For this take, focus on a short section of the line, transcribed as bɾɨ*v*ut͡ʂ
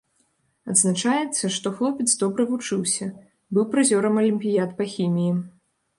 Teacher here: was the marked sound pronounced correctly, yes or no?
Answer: yes